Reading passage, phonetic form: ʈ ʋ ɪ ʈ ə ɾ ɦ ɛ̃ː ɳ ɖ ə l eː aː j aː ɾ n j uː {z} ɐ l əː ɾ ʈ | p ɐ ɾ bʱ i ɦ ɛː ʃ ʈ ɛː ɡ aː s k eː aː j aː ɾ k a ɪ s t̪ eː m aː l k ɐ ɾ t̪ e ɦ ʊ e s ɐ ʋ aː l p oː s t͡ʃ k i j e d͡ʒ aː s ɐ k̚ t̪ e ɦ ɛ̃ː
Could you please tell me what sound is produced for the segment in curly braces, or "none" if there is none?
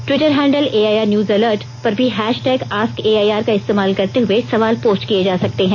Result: z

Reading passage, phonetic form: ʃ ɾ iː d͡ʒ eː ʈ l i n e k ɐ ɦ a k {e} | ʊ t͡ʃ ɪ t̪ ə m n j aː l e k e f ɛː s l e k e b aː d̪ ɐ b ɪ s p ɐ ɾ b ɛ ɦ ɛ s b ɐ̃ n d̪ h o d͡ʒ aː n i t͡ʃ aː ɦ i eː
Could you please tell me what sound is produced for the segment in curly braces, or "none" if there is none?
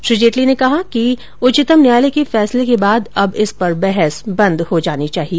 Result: i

